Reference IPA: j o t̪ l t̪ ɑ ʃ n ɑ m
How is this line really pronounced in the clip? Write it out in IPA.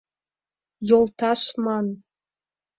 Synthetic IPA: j o l t̪ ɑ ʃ m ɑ n